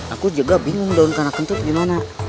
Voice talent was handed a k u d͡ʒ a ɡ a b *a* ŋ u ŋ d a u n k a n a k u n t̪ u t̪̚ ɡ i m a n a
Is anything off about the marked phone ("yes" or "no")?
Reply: yes